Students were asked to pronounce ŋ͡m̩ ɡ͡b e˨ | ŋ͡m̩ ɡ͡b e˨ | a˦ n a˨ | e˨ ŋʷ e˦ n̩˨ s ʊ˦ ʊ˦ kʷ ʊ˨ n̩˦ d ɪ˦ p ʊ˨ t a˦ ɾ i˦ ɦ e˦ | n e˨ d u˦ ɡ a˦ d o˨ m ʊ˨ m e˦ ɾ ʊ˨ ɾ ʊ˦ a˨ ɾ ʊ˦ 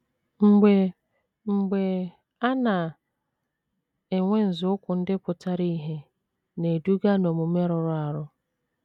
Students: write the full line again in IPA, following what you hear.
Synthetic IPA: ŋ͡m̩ ɡ͡b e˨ | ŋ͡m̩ ɡ͡b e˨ | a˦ n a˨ | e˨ ŋʷ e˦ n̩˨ z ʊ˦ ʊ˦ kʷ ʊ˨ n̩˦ d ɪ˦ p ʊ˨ t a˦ ɾ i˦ ɦ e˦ | n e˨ d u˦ ɡ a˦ n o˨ m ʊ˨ m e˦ ɾ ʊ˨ ɾ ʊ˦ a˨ ɾ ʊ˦